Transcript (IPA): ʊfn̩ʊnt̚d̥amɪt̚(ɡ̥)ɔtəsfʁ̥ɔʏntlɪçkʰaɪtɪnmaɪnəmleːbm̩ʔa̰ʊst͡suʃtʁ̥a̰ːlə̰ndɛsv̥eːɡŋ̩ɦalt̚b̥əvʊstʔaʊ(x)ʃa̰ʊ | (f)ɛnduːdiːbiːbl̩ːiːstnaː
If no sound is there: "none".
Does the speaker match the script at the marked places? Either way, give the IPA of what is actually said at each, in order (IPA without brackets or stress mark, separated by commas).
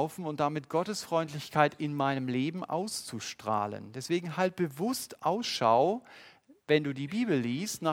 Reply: ɡ̥, s, v